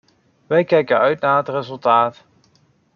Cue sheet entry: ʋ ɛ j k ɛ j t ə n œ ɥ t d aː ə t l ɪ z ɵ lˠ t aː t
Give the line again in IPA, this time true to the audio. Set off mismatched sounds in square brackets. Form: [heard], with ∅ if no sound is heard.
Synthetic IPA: ʋ ɛ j k ɛ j [k] ə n œ ɥ t [n] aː ə t [r] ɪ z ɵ lˠ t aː t

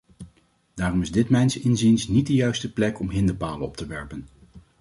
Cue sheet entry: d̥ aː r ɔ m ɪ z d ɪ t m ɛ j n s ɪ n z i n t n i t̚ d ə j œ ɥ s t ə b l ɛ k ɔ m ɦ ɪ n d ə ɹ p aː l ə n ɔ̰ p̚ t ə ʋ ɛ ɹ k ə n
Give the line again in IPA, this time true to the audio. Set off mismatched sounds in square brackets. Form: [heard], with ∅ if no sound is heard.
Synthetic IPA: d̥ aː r ɔ m ɪ z d ɪ t m ɛ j n s ɪ n z i n [s] n i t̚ d ə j œ ɥ s t ə [p] l ɛ k ɔ m ɦ ɪ n d ə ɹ p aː l ə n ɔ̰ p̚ t ə ʋ ɛ ɹ [p] ə n

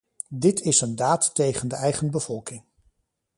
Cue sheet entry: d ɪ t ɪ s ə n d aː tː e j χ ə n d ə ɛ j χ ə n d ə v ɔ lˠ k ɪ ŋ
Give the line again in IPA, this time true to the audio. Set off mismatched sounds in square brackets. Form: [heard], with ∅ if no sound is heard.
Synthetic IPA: d ɪ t ɪ s ə n d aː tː e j χ ə n d ə ɛ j χ ə n [b] ə v ɔ lˠ k ɪ ŋ

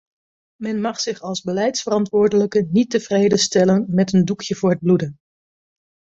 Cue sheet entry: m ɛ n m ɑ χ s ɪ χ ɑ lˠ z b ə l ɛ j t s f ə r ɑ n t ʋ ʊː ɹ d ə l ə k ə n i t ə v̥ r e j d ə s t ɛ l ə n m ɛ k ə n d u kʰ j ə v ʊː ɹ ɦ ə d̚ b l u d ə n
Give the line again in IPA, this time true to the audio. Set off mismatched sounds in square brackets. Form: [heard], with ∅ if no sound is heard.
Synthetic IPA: m ɛ n m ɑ χ s ɪ χ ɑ lˠ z b ə l ɛ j t s f ə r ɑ n t ʋ ʊː ɹ d ə l ə k ə n i t ə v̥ r e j d ə s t ɛ l ə n m ɛ [t] ə n d u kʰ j ə v ʊː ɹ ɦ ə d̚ b l u d ə n

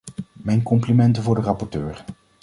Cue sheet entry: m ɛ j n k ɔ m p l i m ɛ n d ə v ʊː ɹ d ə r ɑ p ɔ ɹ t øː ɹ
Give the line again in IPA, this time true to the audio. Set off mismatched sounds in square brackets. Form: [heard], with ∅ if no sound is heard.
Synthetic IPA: m ɛ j n k ɔ m p l i m ɛ n [t] ə v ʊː ɹ d ə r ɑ p ɔ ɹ t øː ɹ

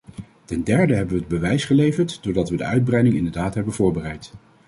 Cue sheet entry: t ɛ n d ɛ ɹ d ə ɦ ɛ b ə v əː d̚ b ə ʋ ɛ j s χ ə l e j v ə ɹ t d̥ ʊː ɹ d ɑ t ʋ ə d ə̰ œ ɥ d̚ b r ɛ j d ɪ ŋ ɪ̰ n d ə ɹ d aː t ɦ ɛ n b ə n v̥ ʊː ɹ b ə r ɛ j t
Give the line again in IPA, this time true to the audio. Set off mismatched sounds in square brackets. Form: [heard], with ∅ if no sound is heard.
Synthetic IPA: t ɛ n d ɛ ɹ d ə ɦ ɛ b ə [ʋ] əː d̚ b ə ʋ ɛ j s χ ə l e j v ə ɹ t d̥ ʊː ɹ d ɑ t ʋ ə d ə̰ œ ɥ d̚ b r ɛ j d ɪ ŋ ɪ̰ n d ə ɹ d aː t ɦ ɛ [∅] b ə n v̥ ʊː ɹ b ə r ɛ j t

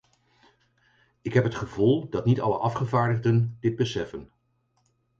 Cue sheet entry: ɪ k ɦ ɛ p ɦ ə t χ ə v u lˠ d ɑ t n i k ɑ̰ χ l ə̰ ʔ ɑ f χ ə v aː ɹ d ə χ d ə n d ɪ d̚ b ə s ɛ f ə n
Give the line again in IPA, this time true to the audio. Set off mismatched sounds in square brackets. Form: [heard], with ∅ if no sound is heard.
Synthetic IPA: ɪ k ɦ ɛ p ɦ ə t χ ə v u lˠ d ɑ t n i [t] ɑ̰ [∅] l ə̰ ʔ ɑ f χ ə v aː ɹ d ə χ d ə n d ɪ d̚ b ə s ɛ f ə n

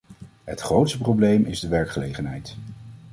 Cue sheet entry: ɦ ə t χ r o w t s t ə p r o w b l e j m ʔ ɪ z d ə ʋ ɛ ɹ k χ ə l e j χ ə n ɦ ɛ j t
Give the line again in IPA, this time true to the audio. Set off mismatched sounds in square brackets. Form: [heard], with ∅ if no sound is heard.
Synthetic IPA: ɦ ə t χ r o w t s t ə p r o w b l e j m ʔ ɪ z d ə ʋ ɛ ɹ k χ ə l e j χ ə n ɦ ɛ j t

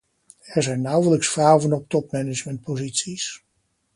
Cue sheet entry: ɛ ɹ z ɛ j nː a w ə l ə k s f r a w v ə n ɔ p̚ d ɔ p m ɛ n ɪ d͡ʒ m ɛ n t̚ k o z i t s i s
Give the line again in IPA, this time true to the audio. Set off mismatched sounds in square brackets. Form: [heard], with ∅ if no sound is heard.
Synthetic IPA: ɛ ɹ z ɛ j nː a w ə l ə k s f r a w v ə n ɔ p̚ [t] ɔ p m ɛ n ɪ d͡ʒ m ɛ n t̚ [p] o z i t s i s

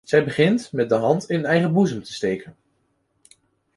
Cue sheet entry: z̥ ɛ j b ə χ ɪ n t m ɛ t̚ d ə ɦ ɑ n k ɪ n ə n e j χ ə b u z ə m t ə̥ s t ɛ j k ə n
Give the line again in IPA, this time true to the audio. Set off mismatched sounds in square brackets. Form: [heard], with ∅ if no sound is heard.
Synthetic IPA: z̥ ɛ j b ə χ ɪ n t m ɛ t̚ d ə ɦ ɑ n [t] ɪ n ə n [ɛ] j χ ə b u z ə m t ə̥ s t [e] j k ə n

